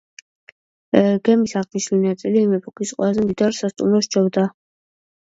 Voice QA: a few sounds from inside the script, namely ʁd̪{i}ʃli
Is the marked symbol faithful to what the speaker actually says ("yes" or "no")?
yes